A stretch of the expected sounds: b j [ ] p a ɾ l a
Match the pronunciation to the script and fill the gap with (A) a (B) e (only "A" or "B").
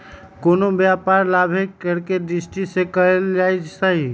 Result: A